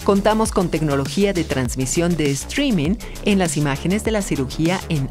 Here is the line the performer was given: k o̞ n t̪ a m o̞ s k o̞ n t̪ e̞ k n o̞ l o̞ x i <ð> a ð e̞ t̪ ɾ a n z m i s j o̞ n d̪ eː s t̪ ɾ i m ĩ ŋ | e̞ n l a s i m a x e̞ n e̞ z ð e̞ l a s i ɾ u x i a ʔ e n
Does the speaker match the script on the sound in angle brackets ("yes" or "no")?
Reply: no